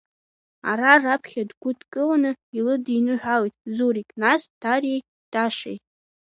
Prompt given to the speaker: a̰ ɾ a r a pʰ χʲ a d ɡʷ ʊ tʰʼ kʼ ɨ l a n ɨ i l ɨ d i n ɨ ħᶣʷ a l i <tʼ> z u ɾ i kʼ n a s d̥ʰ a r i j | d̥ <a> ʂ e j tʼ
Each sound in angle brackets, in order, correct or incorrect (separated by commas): correct, correct